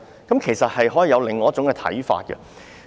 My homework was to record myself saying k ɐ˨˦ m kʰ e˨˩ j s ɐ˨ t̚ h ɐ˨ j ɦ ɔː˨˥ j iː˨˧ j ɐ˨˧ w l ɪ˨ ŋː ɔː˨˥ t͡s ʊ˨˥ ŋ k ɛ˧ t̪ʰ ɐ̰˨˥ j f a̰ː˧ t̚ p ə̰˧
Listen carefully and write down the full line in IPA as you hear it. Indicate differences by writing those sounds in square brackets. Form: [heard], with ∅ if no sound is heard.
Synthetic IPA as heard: k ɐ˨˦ m kʰ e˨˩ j s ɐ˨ t̚ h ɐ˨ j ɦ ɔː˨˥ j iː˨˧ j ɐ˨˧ w l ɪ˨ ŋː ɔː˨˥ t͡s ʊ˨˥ ŋ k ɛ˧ t̪ʰ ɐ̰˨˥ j f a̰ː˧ t̚ [k] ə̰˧

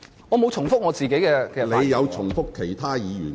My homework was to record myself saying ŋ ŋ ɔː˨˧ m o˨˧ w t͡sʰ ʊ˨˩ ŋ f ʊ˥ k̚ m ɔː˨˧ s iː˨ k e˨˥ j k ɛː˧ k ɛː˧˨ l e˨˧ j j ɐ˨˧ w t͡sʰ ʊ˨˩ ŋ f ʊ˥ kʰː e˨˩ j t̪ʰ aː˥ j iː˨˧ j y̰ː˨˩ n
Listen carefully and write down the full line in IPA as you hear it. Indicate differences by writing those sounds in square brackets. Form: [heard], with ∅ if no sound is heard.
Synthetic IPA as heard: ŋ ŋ ɔː˨˧ m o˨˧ w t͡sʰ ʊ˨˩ ŋ f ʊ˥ k̚ [ŋ] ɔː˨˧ [t͡s] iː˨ k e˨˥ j k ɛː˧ k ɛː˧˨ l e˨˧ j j ɐ˨˧ w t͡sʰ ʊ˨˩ ŋ f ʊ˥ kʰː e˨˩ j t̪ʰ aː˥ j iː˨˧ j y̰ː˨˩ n

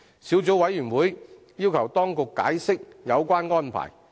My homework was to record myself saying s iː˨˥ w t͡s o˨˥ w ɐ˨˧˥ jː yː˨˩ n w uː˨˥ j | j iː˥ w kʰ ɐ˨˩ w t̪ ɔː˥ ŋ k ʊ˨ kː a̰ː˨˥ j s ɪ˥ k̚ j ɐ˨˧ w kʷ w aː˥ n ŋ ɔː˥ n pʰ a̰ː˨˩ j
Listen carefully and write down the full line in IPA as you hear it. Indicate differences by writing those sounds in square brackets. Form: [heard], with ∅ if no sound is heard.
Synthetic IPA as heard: s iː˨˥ w t͡s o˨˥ w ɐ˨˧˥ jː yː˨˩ n w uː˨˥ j | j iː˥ w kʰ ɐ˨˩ w t̪ ɔː˥ ŋ k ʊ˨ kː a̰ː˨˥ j s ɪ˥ k̚ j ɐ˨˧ w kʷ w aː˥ n ŋ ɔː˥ n pʰ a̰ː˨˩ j

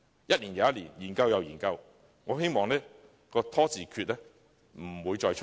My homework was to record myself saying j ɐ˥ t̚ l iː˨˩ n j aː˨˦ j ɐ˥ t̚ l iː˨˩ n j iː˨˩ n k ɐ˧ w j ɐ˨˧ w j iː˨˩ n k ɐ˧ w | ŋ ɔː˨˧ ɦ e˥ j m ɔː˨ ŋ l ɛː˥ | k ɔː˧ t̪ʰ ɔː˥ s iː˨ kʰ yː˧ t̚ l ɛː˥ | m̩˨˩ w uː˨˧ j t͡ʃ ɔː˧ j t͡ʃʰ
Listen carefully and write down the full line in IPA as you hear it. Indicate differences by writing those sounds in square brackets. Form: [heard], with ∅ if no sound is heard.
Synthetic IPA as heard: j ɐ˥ t̚ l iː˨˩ n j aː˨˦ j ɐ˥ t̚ l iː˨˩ n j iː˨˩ n k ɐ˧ w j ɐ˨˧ w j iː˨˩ n k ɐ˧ w | ŋ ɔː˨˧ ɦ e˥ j m ɔː˨ ŋ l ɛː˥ | k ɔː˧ t̪ʰ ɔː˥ [t͡s] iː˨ kʰ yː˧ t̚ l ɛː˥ | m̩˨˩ w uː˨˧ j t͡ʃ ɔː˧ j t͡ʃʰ

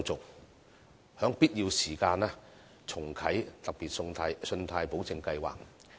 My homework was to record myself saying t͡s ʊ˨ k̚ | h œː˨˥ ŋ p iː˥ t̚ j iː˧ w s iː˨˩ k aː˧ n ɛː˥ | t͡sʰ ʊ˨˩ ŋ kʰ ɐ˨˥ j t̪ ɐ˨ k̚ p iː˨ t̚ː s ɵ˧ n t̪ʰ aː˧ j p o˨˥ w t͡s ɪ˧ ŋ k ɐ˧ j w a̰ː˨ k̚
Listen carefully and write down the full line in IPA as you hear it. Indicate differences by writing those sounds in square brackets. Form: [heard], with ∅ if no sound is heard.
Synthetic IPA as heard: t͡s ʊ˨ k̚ | h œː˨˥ ŋ p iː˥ t̚ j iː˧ w s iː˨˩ k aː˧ n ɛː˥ | t͡sʰ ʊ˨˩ ŋ kʰ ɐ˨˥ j t̪ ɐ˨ k̚ p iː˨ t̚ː s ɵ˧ n t̪ʰ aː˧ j p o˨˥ w t͡s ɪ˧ ŋ k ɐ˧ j w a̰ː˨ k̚

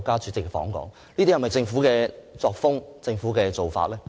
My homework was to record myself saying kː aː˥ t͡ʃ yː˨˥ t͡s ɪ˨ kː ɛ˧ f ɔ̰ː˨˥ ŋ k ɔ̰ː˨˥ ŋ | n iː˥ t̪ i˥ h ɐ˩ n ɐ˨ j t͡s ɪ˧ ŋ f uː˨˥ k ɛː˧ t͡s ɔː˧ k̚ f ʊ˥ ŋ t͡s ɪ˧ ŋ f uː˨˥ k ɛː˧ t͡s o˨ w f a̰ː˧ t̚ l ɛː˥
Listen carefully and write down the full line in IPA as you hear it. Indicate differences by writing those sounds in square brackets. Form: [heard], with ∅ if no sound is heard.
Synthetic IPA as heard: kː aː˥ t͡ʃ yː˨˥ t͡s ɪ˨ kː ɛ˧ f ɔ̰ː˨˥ ŋ k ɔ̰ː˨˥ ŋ | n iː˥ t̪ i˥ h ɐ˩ [m] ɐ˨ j t͡s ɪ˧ ŋ f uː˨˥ k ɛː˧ t͡s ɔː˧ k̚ f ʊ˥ ŋ t͡s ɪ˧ ŋ f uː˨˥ k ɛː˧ t͡s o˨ w f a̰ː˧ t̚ l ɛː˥

